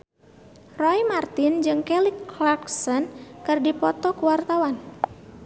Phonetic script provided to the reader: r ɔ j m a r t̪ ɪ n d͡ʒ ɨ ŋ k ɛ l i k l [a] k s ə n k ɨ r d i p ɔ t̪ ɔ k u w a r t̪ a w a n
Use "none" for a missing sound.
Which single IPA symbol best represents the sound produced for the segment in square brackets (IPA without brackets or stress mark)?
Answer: a